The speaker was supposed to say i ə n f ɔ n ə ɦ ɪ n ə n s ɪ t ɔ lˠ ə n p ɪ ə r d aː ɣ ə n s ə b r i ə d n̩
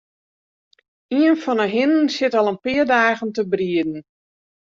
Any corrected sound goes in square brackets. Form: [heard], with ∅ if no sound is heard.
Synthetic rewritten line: i ə n f ɔ n ə ɦ ɪ n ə n s ɪ t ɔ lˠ ə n p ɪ ə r d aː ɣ ə n [t] ə b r i ə d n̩